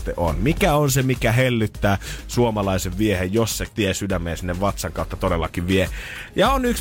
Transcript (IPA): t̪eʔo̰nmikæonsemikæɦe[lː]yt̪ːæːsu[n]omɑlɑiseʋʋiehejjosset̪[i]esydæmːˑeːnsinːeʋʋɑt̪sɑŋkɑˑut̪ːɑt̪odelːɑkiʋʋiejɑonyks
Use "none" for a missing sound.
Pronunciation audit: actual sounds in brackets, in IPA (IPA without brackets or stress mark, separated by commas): lː, none, i